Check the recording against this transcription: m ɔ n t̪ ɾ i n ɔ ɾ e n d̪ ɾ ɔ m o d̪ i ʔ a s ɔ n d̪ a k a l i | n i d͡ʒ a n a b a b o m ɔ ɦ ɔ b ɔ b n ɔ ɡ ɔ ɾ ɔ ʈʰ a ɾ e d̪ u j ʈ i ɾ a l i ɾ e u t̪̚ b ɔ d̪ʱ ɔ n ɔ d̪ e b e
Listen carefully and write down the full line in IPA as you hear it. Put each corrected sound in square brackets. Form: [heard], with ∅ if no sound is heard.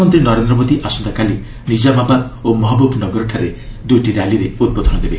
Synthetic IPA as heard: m ɔ n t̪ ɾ i n ɔ ɾ e n d̪ ɾ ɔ m o d̪ i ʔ a s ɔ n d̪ a k a l i | n i d͡ʒ a [m] a b a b o m ɔ ɦ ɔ b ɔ b n ɔ ɡ ɔ ɾ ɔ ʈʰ a ɾ e d̪ u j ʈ i ɾ a l i ɾ e u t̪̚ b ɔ d̪ʱ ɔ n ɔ d̪ e b e